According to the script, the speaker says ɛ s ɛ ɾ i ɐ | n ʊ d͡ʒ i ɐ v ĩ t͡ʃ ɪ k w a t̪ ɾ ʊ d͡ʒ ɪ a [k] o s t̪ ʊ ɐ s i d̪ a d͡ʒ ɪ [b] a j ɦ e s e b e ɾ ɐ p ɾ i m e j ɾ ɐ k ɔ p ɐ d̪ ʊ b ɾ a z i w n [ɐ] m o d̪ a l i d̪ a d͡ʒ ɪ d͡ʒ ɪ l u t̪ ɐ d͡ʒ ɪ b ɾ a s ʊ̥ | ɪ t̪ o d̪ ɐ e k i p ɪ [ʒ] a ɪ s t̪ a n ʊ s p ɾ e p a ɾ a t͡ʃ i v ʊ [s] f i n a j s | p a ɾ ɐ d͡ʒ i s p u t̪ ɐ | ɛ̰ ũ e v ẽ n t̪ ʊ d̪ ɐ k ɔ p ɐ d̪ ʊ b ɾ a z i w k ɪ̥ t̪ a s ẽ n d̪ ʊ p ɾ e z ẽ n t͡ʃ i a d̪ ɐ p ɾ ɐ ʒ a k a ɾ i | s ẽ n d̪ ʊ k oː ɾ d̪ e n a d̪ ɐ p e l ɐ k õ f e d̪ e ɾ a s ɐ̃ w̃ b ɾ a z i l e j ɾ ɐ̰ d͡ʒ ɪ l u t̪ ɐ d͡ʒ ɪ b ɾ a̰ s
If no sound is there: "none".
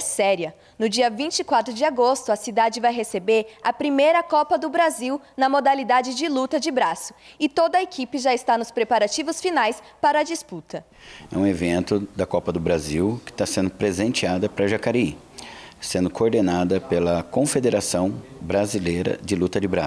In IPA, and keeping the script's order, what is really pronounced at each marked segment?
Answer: ɡ, v, ɐ, ʒ, s

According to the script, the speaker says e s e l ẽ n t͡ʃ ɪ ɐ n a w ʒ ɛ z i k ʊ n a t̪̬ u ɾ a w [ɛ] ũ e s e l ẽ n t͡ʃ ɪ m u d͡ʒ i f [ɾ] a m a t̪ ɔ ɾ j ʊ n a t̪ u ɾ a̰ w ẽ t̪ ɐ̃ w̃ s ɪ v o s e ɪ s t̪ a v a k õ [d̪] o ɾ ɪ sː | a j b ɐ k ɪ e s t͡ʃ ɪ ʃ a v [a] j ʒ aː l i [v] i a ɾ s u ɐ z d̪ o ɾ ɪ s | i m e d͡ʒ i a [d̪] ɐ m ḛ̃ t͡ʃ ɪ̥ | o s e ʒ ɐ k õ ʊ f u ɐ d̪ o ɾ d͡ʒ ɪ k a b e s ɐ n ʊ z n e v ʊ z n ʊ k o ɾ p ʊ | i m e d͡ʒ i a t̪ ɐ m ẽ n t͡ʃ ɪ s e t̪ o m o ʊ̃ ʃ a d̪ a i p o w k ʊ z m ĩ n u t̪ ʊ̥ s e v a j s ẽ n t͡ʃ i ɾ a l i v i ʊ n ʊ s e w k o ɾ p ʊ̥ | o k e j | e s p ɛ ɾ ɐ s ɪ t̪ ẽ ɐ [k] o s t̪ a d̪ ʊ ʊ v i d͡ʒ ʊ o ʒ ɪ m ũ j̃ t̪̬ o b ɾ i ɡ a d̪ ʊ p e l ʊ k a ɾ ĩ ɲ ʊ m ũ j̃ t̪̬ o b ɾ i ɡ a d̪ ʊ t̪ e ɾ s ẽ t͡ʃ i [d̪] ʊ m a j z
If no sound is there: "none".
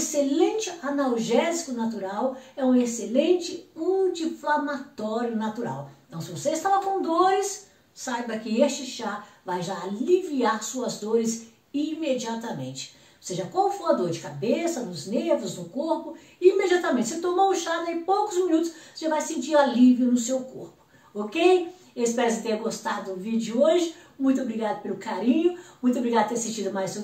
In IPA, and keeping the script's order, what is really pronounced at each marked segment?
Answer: ɛ, l, d̪, a, v, t̪, ɡ, d̪

